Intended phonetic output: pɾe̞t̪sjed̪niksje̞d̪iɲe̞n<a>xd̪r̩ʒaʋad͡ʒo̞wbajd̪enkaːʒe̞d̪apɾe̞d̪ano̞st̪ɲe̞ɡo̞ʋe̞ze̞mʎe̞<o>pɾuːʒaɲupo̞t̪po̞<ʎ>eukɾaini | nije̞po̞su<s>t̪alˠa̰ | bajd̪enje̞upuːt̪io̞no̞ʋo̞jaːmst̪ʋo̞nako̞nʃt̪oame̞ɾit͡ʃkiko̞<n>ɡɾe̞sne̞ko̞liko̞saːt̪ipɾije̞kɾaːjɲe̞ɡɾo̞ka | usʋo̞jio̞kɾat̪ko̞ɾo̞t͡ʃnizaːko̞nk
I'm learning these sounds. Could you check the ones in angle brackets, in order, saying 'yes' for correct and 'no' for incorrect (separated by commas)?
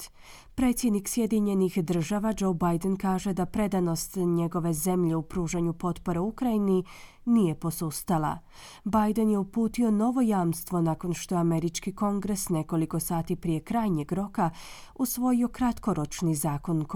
no, no, no, yes, no